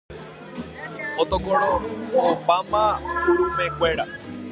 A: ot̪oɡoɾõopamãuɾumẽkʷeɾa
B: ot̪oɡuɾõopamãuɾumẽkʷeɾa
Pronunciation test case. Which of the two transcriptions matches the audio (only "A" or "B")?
A